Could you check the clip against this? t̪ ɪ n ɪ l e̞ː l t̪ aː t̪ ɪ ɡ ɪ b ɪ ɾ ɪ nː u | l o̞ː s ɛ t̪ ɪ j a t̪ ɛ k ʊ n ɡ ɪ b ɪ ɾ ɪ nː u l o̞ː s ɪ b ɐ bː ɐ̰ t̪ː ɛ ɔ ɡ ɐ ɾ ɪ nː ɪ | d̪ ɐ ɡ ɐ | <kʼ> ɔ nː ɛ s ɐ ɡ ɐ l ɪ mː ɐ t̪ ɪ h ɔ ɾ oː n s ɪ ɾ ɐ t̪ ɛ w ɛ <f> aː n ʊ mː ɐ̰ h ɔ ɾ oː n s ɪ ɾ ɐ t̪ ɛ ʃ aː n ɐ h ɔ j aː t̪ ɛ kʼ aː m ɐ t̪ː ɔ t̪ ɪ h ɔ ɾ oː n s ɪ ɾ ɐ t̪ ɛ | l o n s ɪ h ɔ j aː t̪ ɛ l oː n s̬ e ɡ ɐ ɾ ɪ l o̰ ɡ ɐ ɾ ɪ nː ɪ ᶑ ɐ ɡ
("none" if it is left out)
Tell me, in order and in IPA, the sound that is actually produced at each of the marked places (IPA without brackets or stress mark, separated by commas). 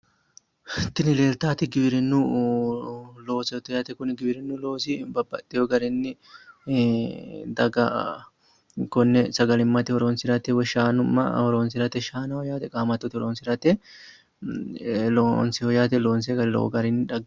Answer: k, ʃ